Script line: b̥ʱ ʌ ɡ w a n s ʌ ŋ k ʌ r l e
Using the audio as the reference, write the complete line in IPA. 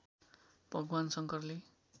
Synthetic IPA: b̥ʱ ʌ ɡ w a n s ʌ ŋ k ʌ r l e